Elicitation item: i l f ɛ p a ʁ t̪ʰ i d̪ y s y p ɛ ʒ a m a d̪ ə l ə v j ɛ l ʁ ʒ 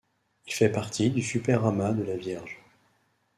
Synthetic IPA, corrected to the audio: i l f ɛ p a ʁ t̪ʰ i d̪ y s y p ɛ ʁ a m a d̪ ə l a v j ɛ ʁ ʒ